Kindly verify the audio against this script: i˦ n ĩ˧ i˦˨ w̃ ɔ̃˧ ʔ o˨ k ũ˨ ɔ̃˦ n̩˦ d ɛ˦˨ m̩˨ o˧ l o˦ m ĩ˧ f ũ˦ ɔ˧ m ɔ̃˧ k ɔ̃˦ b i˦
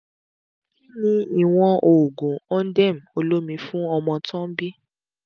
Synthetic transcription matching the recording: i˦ n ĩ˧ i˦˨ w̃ ɔ̃˧ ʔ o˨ ɡ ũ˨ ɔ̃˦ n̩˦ d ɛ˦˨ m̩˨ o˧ l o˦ m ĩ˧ f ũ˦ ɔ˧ m ɔ̃˧ t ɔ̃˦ b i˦